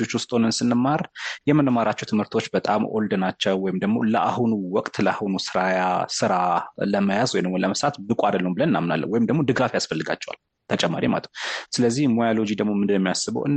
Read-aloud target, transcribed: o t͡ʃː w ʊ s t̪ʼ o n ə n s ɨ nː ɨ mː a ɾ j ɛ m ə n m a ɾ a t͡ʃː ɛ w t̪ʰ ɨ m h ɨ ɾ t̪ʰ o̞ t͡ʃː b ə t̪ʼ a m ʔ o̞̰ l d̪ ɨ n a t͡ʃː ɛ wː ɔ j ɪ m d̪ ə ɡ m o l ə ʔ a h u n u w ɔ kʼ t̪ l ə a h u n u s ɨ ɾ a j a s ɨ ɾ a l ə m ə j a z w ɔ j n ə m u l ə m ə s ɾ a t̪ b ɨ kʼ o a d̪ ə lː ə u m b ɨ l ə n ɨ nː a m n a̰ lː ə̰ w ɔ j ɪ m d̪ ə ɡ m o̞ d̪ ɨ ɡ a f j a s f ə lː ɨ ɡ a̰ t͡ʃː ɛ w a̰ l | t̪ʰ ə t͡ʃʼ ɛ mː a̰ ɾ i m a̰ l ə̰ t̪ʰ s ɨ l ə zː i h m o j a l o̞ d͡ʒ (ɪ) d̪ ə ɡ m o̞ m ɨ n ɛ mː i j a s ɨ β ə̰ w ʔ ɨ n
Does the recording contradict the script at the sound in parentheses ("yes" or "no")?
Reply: yes